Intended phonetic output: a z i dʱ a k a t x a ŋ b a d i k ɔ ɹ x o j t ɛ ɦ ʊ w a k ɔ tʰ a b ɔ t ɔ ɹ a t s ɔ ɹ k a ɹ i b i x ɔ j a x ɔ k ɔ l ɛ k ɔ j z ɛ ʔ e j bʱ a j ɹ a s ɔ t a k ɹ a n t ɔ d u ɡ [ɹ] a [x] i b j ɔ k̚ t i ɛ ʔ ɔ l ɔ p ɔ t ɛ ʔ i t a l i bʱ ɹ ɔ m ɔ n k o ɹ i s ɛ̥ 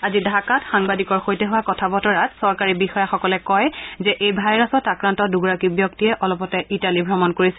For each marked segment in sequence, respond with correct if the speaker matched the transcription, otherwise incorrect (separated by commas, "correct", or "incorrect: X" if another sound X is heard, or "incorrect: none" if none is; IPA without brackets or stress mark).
correct, incorrect: k